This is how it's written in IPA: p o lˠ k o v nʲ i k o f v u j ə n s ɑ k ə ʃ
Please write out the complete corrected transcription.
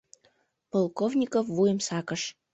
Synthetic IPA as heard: p o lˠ k o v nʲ i k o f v u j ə m s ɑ k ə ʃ